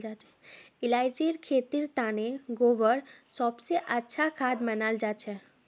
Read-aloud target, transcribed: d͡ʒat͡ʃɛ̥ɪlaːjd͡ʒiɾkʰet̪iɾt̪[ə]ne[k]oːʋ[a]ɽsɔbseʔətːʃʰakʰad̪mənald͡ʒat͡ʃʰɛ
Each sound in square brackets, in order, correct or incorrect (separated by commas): incorrect, incorrect, incorrect